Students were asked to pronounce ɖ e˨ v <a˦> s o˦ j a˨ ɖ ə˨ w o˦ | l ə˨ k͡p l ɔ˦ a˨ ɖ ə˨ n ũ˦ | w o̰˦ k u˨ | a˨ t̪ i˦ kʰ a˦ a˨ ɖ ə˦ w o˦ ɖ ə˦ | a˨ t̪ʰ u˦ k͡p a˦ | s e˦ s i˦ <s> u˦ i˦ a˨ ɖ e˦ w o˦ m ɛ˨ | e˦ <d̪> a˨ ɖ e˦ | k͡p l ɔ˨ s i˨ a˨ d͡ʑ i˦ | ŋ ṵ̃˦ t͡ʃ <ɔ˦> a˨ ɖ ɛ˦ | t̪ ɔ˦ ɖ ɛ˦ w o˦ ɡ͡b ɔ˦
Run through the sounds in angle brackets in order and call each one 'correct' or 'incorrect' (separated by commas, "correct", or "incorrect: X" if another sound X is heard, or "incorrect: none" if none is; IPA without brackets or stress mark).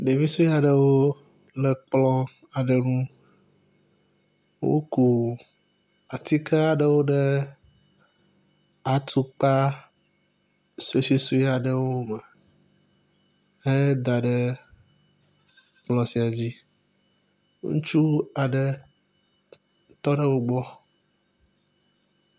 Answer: incorrect: i˦, correct, correct, incorrect: u˦